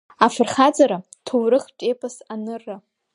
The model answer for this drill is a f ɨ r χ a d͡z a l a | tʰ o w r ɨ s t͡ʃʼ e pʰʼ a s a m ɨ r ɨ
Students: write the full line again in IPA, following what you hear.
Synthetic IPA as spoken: a f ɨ r χ a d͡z a ɾ a | tʰ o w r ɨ χ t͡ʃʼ e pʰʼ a s a n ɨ r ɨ